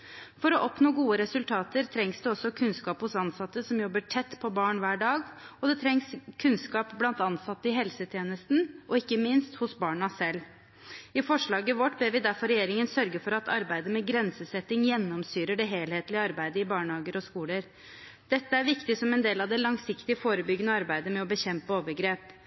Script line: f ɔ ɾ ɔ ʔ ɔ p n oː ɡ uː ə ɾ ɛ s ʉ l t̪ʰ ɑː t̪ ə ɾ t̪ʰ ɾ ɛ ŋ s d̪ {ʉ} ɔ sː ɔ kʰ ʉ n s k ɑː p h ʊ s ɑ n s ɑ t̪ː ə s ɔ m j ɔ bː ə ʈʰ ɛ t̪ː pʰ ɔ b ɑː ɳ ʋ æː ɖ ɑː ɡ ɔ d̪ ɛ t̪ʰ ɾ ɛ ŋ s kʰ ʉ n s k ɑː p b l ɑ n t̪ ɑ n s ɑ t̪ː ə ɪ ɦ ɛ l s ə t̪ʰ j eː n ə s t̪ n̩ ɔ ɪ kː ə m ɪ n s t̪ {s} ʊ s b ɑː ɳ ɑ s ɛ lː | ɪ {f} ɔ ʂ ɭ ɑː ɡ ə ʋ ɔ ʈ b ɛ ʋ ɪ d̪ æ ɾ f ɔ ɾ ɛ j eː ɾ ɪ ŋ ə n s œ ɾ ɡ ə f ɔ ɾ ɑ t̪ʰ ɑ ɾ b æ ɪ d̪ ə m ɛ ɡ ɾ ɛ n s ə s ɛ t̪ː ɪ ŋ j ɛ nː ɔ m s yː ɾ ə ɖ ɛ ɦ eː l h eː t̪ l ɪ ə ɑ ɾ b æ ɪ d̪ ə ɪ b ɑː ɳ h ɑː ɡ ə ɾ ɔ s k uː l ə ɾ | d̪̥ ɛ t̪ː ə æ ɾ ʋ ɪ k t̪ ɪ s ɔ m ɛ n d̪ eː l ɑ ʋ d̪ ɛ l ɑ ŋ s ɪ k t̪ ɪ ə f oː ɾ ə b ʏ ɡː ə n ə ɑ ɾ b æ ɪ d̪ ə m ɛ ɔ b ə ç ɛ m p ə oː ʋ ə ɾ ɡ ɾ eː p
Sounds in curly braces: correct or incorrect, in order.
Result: correct, incorrect, correct

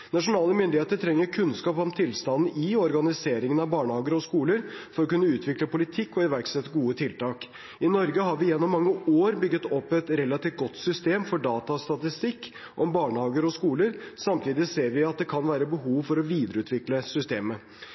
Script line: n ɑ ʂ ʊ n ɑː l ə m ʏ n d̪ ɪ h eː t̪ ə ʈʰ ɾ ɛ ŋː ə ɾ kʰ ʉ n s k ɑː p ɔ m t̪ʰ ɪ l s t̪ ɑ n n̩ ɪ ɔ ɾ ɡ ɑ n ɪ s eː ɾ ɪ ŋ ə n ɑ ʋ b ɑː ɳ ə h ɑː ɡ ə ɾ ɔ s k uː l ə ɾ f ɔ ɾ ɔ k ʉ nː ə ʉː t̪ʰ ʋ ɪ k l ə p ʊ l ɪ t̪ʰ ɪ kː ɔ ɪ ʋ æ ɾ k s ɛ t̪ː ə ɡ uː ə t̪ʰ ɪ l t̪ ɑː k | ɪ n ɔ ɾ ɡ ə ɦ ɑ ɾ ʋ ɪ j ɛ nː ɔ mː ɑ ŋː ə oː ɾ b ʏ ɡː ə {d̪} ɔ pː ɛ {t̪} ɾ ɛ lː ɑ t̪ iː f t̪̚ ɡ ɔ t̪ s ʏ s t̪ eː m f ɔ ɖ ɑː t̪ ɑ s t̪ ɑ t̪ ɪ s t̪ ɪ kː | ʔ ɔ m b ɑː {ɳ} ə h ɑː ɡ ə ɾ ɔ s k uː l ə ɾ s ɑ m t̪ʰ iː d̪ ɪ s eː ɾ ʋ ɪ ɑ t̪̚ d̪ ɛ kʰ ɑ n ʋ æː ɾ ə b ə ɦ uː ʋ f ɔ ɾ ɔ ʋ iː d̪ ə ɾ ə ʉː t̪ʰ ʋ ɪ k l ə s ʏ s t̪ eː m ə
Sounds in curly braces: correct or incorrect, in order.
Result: incorrect, correct, correct

